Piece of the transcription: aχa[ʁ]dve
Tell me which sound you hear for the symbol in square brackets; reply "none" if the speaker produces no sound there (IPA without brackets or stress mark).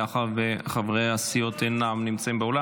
none